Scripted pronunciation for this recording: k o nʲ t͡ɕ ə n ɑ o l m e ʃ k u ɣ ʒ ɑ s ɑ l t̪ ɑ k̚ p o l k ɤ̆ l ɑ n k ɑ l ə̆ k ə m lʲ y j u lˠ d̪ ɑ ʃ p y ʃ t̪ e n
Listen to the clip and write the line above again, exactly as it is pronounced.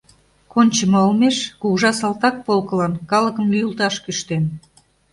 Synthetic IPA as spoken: k o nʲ t͡ɕ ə m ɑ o l m e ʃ k u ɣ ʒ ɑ s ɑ l t̪ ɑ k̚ p o l k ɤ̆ l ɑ n k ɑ l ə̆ k ə m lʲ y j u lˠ t̪ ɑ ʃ k y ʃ t̪ e n